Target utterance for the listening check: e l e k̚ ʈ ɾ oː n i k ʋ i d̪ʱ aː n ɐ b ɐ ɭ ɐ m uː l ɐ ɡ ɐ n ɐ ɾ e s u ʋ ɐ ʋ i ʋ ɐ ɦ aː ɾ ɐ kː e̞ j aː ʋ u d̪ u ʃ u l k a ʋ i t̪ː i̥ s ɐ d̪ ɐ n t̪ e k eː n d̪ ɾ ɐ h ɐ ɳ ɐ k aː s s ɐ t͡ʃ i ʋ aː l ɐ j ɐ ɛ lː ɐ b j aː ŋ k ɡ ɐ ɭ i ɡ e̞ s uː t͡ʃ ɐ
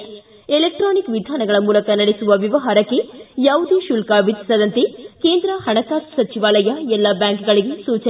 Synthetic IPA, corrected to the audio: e l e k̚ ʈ ɾ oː n i k ʋ i d̪ʱ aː n ɐ ɡ ɐ ɭ ɐ m uː l ɐ k ɐ n ɐ ɽ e s u ʋ ɐ ʋ i ʋ ɐ ɦ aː ɾ ɐ kː e̞ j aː ʋ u d̪ u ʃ u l k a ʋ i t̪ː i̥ s ɐ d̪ ɐ n t̪ e k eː n d̪ ɾ ɐ h ɐ ɳ ɐ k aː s s ɐ t͡ʃ i ʋ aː l ɐ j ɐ ɛ lː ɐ b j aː ŋ k ɡ ɐ ɭ i ɡ e̞ s uː t͡ʃ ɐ